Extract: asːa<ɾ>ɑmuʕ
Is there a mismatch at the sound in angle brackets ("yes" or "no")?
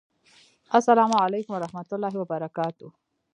yes